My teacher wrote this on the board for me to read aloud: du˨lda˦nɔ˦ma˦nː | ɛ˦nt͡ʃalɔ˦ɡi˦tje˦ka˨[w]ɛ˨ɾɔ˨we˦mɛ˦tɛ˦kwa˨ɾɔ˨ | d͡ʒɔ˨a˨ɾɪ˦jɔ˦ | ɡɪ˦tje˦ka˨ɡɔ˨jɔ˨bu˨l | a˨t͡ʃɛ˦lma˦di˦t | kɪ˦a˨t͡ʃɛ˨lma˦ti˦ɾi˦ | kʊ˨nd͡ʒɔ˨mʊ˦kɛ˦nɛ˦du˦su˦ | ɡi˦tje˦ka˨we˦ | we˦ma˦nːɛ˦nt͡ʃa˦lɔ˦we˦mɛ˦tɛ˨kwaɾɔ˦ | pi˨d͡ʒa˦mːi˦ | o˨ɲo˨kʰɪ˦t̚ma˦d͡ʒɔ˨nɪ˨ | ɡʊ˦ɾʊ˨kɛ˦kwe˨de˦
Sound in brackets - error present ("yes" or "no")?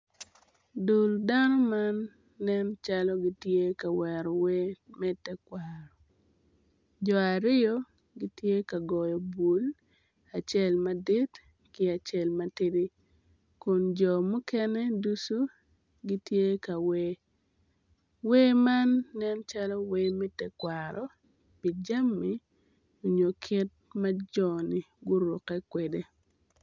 no